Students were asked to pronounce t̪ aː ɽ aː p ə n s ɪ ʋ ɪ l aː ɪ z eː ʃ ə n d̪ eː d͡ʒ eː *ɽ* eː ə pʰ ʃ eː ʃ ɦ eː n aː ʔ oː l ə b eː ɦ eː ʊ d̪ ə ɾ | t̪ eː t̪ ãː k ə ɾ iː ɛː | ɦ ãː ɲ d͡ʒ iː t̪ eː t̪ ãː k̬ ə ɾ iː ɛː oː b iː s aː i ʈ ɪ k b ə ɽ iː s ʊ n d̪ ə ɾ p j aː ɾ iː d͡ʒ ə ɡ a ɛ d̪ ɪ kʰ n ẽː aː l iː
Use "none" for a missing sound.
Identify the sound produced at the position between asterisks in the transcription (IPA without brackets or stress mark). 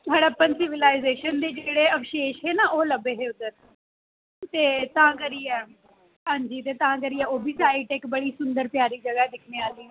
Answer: ɽ